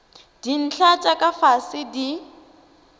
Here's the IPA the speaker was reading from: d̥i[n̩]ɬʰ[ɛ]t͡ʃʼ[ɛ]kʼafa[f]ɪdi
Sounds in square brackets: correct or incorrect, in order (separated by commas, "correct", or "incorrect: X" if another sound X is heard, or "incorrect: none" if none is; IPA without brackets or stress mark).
correct, incorrect: a, incorrect: a, incorrect: s